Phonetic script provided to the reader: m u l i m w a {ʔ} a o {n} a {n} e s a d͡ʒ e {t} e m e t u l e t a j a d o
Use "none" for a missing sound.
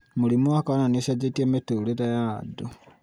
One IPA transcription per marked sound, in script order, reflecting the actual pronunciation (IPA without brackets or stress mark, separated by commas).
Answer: k, n, n, t